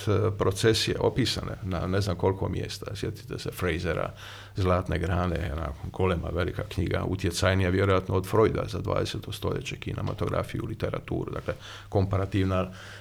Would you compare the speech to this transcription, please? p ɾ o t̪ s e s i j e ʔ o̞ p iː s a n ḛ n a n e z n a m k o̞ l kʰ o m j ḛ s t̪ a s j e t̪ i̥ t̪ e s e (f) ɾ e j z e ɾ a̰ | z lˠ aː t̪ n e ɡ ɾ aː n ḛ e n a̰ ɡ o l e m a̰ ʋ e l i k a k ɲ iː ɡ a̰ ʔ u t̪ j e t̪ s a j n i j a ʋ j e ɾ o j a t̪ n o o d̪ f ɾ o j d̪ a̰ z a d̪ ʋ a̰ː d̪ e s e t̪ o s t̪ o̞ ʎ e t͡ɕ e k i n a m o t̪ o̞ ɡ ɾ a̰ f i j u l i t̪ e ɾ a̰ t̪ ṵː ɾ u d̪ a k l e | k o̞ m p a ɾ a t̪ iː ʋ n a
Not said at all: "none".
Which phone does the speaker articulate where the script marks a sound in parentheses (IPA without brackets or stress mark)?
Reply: f